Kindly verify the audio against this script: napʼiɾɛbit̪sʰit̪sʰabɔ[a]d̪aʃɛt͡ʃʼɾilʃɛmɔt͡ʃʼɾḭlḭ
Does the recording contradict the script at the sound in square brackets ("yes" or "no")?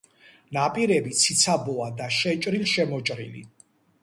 no